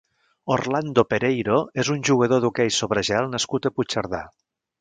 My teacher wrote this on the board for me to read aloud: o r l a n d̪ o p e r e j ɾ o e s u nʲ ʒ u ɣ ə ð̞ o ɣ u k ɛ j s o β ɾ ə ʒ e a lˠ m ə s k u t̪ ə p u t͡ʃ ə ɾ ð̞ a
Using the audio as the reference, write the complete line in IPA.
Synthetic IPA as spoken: o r l a n d̪ o p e ɾ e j ɾ o e z u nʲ ʒ u ɣ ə ð̞ o ð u k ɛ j s o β ɾ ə ʒ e a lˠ n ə s k u t̪ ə p u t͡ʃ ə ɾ ð̞ a